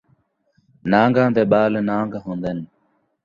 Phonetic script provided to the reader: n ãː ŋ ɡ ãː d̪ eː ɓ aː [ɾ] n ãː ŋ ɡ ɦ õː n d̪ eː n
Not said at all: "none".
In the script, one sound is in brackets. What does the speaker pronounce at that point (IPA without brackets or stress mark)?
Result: l